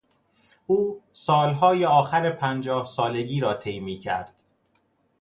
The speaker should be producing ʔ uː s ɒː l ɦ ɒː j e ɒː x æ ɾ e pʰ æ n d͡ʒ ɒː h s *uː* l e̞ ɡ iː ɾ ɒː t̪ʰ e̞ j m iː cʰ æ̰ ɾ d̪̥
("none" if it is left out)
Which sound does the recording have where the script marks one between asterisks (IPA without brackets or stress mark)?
ɒː